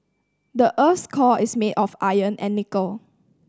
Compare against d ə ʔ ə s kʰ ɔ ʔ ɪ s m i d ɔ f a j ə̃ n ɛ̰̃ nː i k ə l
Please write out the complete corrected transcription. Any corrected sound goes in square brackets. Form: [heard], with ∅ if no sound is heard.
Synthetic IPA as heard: d ə ʔ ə s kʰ ɔ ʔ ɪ s m [e] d ɔ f a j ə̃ n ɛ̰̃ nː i k ə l